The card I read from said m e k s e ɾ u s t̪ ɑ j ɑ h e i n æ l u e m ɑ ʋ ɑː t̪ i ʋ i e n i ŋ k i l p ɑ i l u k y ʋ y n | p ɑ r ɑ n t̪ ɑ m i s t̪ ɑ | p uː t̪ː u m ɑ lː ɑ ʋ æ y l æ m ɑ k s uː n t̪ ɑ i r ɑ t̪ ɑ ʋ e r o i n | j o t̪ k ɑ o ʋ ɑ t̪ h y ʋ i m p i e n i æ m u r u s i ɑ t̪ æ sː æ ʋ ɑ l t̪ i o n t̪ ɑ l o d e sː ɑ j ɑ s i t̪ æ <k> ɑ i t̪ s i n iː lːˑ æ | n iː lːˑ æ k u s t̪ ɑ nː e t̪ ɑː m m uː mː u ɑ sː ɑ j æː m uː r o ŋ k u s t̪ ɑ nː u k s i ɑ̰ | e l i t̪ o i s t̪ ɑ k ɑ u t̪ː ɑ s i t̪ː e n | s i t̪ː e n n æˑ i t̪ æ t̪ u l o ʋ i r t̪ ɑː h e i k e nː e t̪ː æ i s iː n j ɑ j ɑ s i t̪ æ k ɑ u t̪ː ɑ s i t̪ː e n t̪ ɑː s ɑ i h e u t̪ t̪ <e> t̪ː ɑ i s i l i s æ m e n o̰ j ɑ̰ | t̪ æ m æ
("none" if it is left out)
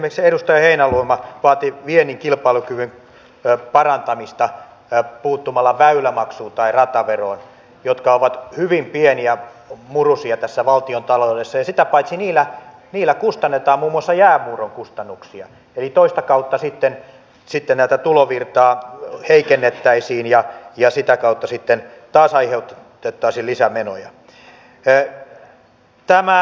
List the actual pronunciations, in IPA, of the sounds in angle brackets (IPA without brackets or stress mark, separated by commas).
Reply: p, e